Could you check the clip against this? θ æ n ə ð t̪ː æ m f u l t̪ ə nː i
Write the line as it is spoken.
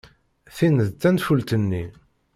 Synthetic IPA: θ i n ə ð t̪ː æ n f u l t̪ ə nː i

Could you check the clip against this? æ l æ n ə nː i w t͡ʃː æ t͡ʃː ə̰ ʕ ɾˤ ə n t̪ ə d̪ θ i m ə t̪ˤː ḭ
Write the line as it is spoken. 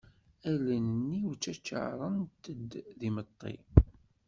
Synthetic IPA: æ l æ n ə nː i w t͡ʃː æ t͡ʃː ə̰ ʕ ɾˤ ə n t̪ ə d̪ ð i m ə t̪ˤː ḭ

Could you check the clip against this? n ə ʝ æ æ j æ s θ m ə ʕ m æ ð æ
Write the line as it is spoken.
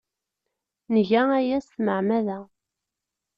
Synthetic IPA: n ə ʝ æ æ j æ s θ m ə ʕ m æ ð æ

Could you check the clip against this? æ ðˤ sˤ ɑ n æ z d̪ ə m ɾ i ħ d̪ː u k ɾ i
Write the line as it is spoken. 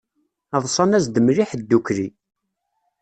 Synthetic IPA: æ ðˤ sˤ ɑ n æ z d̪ ə m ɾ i ħ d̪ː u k ɾ i

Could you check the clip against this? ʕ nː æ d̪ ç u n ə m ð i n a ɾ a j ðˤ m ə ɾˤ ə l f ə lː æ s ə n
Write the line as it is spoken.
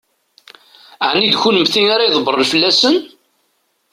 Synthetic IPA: ʕ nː i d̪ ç u n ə m θ i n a ɾ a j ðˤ b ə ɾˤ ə l f ə lː æ s ə n

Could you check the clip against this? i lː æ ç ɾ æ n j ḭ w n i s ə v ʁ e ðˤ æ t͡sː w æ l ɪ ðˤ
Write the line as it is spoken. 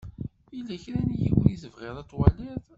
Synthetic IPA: i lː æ ç ɾ æ n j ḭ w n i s ə v ʁ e ðˤ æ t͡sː w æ l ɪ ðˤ

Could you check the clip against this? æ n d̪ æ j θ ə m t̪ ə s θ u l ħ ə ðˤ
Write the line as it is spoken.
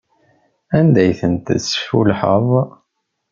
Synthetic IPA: æ n d̪ æ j θ ə n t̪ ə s f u l ħ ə ðˤ

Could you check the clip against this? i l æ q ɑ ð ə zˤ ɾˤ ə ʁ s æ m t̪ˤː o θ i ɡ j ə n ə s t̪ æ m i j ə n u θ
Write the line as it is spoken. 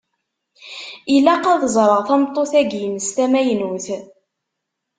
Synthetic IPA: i l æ q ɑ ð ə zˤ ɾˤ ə ʁ θ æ m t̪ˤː o θ æ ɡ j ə n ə s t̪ æ m æ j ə n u θ

